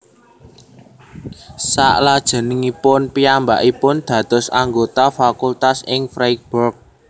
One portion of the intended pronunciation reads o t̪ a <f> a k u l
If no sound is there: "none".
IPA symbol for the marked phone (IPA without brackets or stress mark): f